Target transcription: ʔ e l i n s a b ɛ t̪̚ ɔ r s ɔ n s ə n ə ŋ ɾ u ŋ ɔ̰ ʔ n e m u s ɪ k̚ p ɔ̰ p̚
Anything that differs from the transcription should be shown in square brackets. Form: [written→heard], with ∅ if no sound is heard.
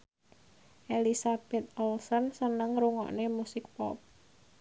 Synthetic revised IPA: ʔ e l i [n→∅] s a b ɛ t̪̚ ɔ [r→l] s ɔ n s ə n ə ŋ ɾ u ŋ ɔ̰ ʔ n e m u s ɪ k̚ p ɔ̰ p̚